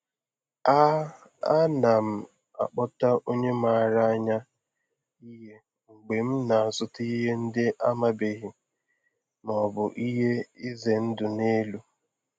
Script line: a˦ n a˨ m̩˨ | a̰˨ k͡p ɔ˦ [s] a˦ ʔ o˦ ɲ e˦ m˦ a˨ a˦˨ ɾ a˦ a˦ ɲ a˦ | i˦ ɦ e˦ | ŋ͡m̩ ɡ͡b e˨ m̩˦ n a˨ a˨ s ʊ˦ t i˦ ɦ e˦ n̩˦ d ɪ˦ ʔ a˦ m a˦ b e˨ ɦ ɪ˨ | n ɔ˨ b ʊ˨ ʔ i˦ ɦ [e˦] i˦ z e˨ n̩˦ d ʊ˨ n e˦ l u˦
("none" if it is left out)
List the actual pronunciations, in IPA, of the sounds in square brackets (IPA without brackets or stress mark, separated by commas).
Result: t, e˦